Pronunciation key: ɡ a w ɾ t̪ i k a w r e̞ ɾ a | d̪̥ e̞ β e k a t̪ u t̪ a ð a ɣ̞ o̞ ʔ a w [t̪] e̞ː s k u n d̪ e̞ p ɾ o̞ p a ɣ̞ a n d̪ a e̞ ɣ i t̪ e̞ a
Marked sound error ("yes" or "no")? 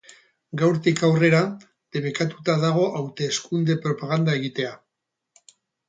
no